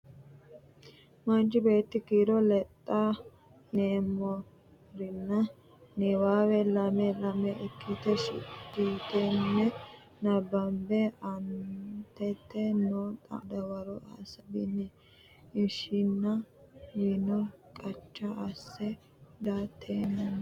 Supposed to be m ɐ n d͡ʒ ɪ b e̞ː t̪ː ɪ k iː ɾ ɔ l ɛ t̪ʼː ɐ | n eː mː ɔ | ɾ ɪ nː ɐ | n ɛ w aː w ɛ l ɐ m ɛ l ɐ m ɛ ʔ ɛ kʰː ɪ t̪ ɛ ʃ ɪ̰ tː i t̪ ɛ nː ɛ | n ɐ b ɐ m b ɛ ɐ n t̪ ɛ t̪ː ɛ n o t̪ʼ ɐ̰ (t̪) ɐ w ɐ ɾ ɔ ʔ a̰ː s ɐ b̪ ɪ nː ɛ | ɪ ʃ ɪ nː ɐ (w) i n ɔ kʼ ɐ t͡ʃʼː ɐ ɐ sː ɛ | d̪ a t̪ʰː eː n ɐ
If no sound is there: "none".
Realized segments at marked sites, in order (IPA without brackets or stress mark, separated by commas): d̪, w